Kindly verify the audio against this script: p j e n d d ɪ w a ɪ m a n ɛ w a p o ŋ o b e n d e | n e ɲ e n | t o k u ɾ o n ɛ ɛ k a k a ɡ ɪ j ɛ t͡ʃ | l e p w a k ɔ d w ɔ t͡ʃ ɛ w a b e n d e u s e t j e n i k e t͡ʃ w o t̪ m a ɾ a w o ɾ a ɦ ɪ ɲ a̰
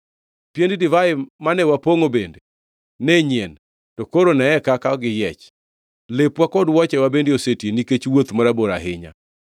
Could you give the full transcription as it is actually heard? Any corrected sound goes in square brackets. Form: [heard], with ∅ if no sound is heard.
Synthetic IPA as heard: p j e n d d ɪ [v] a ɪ m a n ɛ w a p o ŋ o b e n d e | n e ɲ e n | t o k [o] ɾ o n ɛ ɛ k a k a ɡ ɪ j ɛ t͡ʃ | l e p w a k ɔ d w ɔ t͡ʃ ɛ w a b e n d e [o] s e t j e n i k e t͡ʃ w o t̪ m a ɾ a [b] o ɾ a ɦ ɪ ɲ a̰

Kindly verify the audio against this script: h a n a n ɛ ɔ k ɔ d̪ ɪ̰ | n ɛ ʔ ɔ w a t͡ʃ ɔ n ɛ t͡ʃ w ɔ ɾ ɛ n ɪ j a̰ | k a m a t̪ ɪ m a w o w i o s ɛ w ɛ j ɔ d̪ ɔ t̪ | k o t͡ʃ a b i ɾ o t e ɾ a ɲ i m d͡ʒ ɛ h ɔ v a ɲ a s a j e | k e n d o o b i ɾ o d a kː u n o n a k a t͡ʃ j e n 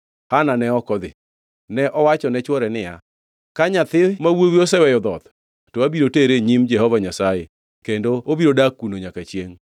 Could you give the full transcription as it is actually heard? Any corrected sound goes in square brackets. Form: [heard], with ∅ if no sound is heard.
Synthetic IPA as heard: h a n a n ɛ ɔ k ɔ d̪ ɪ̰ | n ɛ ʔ ɔ w a t͡ʃ ɔ n ɛ t͡ʃ w ɔ ɾ ɛ n ɪ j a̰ | k a [ɲ] a t̪ ɪ m a w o w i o s ɛ w ɛ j ɔ d̪ ɔ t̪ | [t] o [∅] a b i ɾ o t e ɾ [e] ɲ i m d͡ʒ ɛ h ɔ v a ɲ a s a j e | k e n d o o b i ɾ o d a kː u n o [ɲ] a k a t͡ʃ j e [ŋ]

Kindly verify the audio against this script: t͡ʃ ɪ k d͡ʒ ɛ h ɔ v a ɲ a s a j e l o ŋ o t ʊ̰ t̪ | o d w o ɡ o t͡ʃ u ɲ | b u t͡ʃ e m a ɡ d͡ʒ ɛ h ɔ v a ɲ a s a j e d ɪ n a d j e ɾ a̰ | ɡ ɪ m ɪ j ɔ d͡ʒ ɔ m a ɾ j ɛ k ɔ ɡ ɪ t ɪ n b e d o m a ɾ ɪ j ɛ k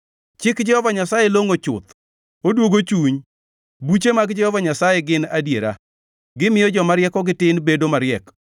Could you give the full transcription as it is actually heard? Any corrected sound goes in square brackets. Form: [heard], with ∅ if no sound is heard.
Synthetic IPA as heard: t͡ʃ ɪ k d͡ʒ ɛ h ɔ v a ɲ a s a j e l o ŋ o [t͡ʃ] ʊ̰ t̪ | o d w o ɡ o t͡ʃ u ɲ | b u t͡ʃ e m a ɡ d͡ʒ ɛ h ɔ v a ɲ a s a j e [ɡ] ɪ n a d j e ɾ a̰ | ɡ ɪ m ɪ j ɔ d͡ʒ ɔ m a ɾ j ɛ k ɔ ɡ ɪ t ɪ n b e d o m a ɾ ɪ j ɛ k

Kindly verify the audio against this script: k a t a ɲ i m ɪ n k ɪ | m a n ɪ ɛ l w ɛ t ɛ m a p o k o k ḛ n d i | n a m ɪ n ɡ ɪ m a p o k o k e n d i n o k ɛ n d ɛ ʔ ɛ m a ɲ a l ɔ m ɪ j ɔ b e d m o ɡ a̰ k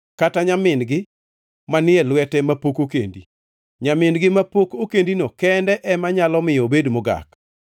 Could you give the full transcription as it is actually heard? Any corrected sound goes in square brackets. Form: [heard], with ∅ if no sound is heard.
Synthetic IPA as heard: k a t a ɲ [a] m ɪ n [ɡ] ɪ | m a n ɪ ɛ l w ɛ t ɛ m a p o k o k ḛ n d i | [ɲ] a m ɪ n ɡ ɪ m a p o k o k e n d i n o k ɛ n d ɛ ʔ ɛ m a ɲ a l ɔ m ɪ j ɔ b e d m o ɡ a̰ k

